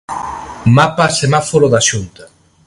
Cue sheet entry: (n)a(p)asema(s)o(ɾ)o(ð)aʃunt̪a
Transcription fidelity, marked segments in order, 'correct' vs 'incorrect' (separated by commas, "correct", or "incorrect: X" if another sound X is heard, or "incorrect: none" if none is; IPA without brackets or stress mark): incorrect: m, correct, incorrect: f, correct, correct